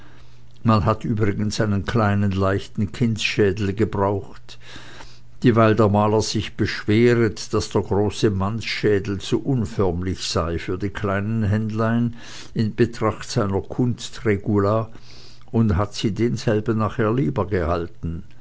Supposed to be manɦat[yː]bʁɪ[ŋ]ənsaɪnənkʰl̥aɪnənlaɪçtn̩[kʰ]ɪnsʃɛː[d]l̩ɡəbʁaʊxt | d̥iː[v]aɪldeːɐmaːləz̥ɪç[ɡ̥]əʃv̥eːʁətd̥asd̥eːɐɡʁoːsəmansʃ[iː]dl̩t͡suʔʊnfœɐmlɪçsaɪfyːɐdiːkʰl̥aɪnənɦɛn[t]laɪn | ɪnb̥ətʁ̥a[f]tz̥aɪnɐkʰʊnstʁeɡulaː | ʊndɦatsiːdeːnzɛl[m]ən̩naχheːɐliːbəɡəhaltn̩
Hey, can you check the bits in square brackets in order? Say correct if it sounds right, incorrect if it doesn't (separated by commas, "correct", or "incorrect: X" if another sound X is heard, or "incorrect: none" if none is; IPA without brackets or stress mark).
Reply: correct, incorrect: ɡ, correct, correct, correct, incorrect: b̥, incorrect: ɛː, incorrect: d, incorrect: χ, incorrect: b